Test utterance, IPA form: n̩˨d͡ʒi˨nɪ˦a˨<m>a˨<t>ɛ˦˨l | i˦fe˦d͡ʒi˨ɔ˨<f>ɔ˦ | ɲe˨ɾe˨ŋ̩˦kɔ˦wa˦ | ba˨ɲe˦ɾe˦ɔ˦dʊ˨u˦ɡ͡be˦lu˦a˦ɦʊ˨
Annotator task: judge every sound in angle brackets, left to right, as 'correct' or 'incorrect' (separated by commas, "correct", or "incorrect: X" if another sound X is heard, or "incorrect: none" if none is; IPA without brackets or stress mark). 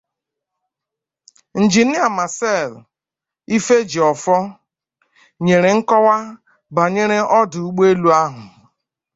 correct, incorrect: s, correct